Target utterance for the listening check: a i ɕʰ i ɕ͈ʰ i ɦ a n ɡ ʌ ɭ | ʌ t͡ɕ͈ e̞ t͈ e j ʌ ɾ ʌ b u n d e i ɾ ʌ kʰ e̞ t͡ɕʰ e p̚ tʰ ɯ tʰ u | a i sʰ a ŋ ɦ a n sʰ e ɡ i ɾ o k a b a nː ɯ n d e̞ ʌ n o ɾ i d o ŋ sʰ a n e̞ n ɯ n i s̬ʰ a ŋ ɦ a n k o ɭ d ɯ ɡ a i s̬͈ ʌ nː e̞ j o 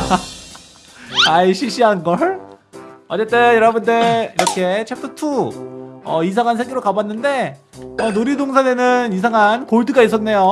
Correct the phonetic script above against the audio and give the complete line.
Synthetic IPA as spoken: a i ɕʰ i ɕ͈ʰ i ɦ a n ɡ ʌ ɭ | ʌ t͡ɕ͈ e̞ t͈ e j ʌ ɾ ʌ b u n d e i ɾ ʌ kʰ e̞ t͡ɕʰ e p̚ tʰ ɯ tʰ u | ʌ i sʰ a ŋ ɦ a n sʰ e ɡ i ɾ o k a b a nː ɯ n d e̞ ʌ n o ɾ i d o ŋ sʰ a n e̞ n ɯ n i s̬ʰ a ŋ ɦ a n k o ɭ d ɯ ɡ a i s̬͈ ʌ nː e̞ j o